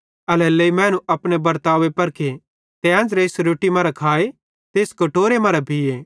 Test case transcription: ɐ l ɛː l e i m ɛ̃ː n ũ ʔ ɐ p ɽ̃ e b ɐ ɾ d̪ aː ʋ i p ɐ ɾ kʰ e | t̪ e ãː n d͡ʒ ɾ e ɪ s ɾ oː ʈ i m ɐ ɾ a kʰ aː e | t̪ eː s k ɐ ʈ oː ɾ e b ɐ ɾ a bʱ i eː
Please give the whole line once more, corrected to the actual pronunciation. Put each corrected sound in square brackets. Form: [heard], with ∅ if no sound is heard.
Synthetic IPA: ɐ l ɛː l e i m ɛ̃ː n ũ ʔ ɐ p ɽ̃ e b ɐ ɾ [t̪] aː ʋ [e] p ɐ ɾ kʰ e | t̪ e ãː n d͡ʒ ɾ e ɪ s ɾ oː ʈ i m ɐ ɾ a kʰ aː e | t̪ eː s k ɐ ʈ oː ɾ e [m] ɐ ɾ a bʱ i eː